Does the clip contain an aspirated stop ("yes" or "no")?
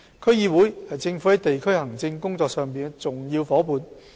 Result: yes